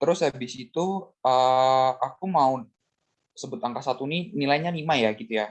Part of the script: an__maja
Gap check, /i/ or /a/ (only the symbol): i